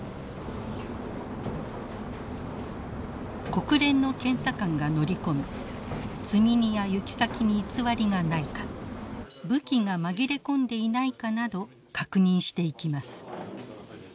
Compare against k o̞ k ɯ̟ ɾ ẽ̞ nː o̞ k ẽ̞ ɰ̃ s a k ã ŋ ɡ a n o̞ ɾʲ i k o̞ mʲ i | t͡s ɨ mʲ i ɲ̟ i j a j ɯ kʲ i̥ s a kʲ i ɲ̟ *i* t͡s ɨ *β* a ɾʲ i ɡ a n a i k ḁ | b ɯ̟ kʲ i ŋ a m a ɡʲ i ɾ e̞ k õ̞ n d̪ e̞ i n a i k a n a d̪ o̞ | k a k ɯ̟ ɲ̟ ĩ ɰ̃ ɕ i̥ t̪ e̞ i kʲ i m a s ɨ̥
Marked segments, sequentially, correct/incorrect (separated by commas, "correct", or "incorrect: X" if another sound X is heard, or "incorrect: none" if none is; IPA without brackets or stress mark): incorrect: iː, correct